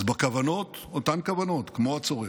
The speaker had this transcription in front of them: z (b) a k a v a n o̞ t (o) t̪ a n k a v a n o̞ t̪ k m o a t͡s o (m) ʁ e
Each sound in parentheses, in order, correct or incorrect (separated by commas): correct, correct, incorrect